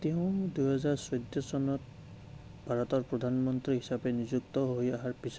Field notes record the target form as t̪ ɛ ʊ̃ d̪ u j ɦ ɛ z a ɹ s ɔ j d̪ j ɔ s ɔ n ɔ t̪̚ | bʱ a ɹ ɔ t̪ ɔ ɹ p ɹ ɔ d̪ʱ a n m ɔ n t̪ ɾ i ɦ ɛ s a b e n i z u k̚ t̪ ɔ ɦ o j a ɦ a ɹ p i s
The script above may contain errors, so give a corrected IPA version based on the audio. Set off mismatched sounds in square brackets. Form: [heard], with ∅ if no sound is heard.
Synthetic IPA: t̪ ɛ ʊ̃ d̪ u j ɦ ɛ z a ɹ s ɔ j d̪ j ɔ s ɔ n ɔ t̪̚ | bʱ a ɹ ɔ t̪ ɔ ɹ p ɹ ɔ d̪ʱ a n m ɔ n t̪ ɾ i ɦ [i] s a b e n i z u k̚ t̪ ɔ ɦ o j a ɦ a ɹ p i s